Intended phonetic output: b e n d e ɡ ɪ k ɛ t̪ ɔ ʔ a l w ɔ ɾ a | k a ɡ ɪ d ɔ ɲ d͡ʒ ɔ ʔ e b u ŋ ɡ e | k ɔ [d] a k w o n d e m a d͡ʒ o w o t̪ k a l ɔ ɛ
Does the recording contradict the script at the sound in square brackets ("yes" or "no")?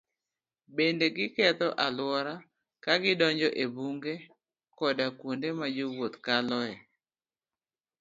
no